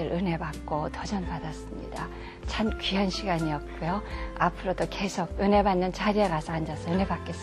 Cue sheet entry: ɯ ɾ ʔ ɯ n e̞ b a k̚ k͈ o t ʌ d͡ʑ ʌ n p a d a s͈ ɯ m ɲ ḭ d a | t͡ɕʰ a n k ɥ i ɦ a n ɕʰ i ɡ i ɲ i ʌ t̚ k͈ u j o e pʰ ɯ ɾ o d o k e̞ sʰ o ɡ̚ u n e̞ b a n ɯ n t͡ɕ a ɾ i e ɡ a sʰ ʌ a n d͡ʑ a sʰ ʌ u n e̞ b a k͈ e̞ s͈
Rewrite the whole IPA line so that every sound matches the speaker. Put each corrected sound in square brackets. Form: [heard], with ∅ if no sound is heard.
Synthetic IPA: ɯ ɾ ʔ ɯ n e̞ b a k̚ k͈ o t ʌ d͡ʑ ʌ n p a d a s͈ ɯ m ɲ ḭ d a | t͡ɕʰ a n k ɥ i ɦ a n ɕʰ i ɡ [a] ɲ i ʌ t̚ k͈ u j o [a] pʰ ɯ ɾ o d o k e̞ sʰ o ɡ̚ [ɯ] n e̞ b a [nː] ɯ n t͡ɕ a ɾ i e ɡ a sʰ ʌ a n d͡ʑ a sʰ ʌ [ɯ] n e̞ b a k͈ e̞ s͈